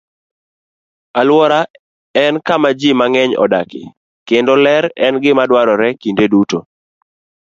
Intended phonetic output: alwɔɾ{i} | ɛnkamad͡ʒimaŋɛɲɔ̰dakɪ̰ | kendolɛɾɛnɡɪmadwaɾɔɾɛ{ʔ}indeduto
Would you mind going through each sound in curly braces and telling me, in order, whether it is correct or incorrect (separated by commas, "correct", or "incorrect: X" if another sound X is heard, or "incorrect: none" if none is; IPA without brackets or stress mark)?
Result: incorrect: a, incorrect: k